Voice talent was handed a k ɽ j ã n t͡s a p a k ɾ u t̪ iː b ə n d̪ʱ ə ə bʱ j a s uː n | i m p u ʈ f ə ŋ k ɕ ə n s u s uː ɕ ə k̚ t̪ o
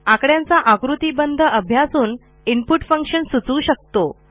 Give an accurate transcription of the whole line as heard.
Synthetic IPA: a k ɽ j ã n t͡s a ʔ a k ɾ u t̪ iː b ə n d̪ʱ ə ə bʱ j a s uː n | i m p u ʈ f ə ŋ k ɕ ə n s u t͡s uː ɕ ə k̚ t̪ o